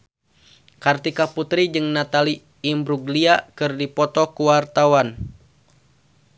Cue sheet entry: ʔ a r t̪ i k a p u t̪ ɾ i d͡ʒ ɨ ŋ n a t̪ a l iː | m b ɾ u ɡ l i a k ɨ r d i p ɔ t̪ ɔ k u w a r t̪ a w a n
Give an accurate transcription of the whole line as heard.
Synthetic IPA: k a r t̪ i k a p u t̪ ɾ i d͡ʒ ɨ ŋ n a t̪ a l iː | m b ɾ u ɡ l i a k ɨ r d i p ɔ t̪ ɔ k u w a r t̪ a w a n